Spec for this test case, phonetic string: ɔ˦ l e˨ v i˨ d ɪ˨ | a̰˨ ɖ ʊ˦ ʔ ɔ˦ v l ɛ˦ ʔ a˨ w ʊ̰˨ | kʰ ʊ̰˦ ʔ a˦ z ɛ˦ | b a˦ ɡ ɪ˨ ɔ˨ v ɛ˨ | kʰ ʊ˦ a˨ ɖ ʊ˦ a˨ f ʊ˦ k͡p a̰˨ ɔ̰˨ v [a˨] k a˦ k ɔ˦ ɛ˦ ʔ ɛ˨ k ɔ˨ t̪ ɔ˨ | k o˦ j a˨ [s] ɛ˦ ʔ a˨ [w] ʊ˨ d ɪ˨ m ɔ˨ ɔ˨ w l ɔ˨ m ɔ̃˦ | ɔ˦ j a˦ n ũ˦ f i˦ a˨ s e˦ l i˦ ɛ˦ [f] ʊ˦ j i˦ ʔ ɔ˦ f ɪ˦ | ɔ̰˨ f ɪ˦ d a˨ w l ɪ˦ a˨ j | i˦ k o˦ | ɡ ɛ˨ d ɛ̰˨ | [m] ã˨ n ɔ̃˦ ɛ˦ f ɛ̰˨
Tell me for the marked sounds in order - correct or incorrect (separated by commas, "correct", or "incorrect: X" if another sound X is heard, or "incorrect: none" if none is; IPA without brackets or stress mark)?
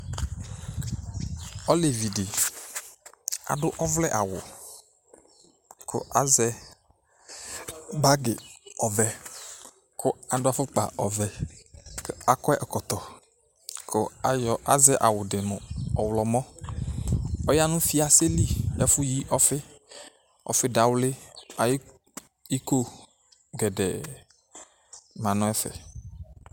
incorrect: ɛ˨, incorrect: z, correct, correct, correct